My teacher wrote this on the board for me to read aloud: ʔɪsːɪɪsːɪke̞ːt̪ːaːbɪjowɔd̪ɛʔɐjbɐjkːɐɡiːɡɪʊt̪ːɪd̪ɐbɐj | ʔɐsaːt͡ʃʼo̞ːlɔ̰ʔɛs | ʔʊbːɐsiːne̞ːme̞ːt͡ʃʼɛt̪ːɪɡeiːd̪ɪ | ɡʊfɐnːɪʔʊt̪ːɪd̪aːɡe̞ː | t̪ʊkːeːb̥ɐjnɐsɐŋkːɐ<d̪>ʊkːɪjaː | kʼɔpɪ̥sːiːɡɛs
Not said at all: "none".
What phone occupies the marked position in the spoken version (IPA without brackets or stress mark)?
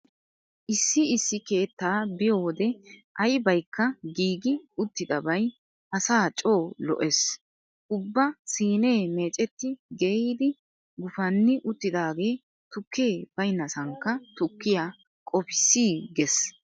t̪